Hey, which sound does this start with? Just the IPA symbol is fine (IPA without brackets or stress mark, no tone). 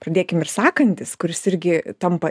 p